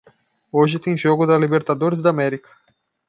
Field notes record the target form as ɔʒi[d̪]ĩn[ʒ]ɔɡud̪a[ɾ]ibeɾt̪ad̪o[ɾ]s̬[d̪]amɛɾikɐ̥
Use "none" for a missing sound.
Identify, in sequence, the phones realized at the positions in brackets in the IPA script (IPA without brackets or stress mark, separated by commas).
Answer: t̪, ʒ, l, ɾ, d̪